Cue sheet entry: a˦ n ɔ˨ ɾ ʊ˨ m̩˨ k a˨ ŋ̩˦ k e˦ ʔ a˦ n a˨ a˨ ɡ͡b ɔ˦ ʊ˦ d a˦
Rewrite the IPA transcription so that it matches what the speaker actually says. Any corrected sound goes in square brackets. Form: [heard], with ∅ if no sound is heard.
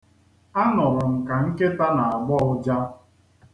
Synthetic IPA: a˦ n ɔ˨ ɾ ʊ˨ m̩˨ k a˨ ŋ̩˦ k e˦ [t] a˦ n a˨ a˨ ɡ͡b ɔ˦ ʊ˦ [d͡ʒ] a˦